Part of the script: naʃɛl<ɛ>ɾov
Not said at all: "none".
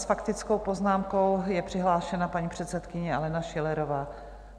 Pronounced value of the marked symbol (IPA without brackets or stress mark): ɛ